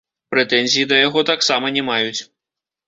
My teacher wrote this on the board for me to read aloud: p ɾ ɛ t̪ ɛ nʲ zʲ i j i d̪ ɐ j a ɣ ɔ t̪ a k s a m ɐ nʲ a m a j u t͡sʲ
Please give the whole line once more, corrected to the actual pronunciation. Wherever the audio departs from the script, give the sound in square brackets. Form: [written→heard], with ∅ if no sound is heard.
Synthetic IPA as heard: p ɾ ɛ t̪ ɛ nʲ zʲ i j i d̪ ɐ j a ɣ ɔ t̪ a k s a m ɐ nʲ [a→ɛ] m a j u t͡sʲ